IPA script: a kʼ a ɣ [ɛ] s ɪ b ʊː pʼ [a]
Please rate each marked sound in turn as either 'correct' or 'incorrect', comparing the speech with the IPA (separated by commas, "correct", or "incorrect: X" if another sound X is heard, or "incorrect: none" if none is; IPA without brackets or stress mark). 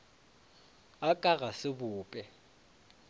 incorrect: a, incorrect: ɛ